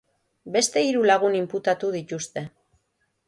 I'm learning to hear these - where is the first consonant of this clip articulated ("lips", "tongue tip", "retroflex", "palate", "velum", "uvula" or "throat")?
lips